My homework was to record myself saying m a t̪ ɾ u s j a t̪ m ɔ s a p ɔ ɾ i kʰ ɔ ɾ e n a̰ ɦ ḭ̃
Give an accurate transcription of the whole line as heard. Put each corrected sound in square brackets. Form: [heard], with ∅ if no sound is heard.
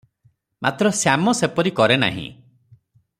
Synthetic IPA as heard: m a t̪ ɾ [ɔ] s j a [∅] m ɔ s [e] p ɔ ɾ i [k] ɔ ɾ e n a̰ ɦ ḭ̃